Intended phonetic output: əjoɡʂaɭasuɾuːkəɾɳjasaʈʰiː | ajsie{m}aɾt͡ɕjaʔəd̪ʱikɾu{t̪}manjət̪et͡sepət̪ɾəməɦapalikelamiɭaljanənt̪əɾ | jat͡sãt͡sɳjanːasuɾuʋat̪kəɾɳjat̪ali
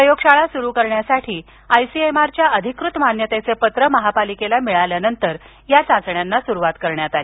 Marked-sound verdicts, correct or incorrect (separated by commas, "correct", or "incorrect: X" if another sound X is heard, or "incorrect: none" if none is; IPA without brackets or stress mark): correct, correct